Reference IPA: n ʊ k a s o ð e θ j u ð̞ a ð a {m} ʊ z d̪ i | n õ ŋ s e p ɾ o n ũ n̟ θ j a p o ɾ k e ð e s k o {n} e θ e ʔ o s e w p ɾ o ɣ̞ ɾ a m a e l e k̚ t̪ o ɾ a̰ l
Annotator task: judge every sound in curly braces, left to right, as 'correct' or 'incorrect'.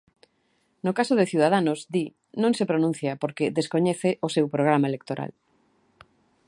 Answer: incorrect: n, incorrect: ɲ

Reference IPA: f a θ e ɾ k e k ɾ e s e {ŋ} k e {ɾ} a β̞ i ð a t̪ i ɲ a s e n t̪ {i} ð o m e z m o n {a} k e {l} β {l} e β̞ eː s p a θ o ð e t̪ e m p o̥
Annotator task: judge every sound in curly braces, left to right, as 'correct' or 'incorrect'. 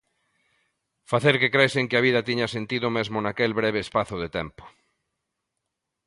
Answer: correct, incorrect: none, correct, correct, correct, incorrect: ɾ

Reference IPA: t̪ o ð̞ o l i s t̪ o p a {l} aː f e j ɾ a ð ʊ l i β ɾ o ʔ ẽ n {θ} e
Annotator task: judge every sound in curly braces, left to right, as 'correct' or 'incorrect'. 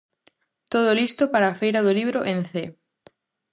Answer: incorrect: ɾ, correct

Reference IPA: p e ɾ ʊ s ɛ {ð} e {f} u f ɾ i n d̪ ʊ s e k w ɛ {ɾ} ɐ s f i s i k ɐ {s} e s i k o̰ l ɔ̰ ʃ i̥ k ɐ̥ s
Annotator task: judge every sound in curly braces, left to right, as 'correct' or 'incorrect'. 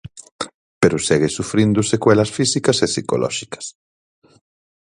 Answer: incorrect: ɣ, incorrect: s, incorrect: l, correct

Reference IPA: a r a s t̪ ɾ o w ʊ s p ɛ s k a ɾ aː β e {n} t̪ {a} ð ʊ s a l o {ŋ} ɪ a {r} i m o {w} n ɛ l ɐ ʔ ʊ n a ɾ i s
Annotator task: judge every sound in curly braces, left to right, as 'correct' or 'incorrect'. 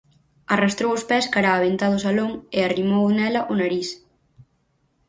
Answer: correct, correct, correct, correct, correct

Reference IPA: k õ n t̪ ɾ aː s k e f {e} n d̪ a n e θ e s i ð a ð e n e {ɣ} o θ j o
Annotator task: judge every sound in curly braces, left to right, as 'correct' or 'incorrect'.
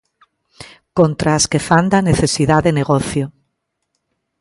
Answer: incorrect: a, correct

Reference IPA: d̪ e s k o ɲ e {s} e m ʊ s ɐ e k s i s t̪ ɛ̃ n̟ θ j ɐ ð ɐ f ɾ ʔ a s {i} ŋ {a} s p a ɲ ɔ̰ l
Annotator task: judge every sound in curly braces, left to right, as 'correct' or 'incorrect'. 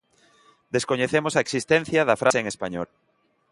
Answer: incorrect: θ, incorrect: e, incorrect: e

